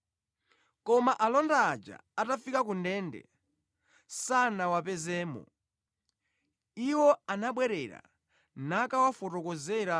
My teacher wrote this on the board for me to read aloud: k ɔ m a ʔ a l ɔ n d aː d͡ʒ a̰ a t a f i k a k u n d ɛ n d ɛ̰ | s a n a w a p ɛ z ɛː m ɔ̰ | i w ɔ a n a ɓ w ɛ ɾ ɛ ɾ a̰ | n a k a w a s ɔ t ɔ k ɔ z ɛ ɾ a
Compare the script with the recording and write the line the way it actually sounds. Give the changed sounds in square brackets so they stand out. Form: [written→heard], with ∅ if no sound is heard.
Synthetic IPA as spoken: k ɔ m a ʔ a l ɔ n d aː d͡ʒ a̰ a t a f i k a k u n d ɛ n d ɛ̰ | s a n a w a p ɛ z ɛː m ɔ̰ | i w ɔ a n a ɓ w ɛ ɾ ɛ ɾ a̰ | n a k a w a [s→f] ɔ t ɔ k ɔ z ɛ ɾ a